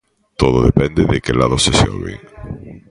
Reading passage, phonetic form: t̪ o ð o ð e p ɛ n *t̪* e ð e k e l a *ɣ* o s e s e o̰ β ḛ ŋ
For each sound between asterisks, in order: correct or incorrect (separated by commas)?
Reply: incorrect, incorrect